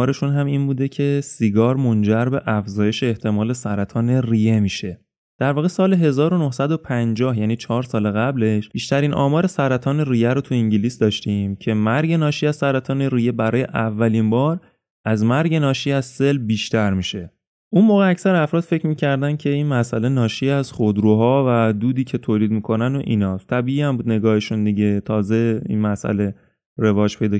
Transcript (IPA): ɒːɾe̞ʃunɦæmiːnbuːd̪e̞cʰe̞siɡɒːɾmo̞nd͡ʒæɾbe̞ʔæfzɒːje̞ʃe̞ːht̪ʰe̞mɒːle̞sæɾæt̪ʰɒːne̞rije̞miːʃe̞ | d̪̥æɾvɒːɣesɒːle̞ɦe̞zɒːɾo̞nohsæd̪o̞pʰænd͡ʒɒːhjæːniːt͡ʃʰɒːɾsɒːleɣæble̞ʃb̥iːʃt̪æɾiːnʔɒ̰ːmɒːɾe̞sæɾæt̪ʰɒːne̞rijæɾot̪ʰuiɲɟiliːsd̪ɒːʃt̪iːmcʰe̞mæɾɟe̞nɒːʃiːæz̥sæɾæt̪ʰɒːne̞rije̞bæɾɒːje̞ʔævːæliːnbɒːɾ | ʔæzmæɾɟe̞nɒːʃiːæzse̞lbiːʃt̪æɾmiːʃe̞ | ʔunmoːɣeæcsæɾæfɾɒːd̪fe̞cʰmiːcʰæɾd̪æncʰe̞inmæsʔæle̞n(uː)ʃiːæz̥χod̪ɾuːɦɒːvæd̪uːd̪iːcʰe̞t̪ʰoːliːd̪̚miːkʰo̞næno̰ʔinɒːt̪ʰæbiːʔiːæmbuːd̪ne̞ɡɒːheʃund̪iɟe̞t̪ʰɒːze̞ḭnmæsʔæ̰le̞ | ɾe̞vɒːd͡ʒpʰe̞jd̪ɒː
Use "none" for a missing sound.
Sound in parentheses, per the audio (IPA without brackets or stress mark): ɒː